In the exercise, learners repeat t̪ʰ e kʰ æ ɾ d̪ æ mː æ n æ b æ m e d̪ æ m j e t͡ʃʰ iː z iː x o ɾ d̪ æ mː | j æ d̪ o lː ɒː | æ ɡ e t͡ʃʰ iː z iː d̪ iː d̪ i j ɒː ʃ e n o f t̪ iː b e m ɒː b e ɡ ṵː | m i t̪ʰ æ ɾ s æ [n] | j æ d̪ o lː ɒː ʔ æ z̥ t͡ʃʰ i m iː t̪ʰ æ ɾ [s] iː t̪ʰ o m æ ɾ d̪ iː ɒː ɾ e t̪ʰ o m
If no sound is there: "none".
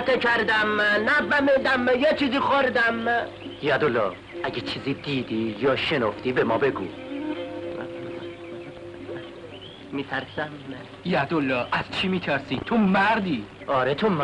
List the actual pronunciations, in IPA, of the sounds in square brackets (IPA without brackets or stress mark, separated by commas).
m, s